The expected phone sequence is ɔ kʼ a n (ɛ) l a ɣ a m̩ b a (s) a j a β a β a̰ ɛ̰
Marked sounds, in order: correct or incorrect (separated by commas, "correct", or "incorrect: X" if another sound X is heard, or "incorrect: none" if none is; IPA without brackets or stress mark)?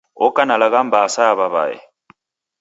incorrect: a, correct